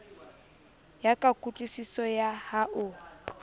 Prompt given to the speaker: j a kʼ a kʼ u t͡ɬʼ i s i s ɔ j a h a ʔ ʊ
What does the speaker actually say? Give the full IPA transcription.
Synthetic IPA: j a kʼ a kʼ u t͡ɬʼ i s i s ɔ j a h a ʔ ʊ